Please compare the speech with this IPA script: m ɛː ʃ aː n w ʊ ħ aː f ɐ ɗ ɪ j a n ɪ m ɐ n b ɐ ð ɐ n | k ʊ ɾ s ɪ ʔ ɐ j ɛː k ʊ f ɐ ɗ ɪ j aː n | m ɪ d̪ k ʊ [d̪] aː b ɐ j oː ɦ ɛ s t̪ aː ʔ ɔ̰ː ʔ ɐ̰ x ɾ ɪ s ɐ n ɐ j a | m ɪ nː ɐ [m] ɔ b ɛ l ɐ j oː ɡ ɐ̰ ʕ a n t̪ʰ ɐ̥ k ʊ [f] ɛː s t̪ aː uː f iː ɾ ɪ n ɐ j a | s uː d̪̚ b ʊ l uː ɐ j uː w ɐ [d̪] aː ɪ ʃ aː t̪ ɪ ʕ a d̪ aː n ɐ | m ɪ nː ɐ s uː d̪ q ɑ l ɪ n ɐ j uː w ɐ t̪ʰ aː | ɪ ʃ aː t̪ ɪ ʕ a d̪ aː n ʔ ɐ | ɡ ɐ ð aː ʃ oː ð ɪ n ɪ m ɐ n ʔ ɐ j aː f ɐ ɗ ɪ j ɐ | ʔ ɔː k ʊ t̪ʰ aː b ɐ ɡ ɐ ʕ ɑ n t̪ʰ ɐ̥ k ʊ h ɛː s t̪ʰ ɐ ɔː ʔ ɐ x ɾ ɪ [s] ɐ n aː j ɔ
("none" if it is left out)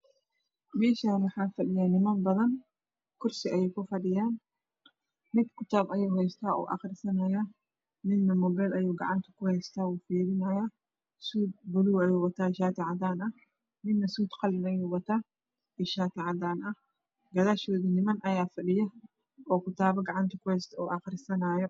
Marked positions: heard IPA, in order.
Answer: t̪, m, h, t̪, s

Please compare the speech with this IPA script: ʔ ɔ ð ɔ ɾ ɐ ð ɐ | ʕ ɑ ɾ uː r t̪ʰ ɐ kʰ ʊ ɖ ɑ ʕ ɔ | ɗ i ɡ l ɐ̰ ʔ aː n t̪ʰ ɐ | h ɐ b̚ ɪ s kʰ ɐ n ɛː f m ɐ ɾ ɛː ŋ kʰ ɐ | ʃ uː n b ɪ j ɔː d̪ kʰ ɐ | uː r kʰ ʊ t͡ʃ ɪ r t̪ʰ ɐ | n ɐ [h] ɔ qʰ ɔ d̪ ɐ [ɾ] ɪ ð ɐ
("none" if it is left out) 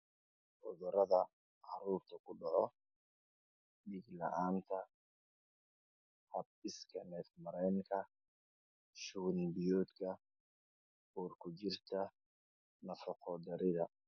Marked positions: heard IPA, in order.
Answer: f, ɾ

